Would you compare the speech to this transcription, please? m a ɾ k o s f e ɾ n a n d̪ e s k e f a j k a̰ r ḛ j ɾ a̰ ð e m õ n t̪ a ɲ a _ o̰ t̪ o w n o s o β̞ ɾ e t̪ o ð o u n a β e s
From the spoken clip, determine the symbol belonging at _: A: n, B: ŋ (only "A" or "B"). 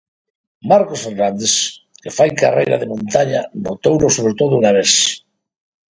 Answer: A